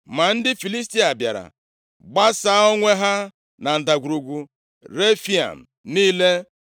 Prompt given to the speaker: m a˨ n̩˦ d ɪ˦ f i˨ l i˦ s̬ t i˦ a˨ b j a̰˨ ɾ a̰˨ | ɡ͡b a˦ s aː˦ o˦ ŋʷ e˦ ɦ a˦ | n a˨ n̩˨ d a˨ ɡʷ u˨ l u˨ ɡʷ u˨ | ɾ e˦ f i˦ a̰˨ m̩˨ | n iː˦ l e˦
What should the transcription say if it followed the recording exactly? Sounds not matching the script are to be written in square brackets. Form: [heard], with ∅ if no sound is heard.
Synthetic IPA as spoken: m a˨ n̩˦ d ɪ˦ f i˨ l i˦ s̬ t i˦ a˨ b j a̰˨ ɾ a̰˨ | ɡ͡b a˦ s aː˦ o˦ ŋʷ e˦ ɦ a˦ | n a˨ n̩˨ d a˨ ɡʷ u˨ [ɾ] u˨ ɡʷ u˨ | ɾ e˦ f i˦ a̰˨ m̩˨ | n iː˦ l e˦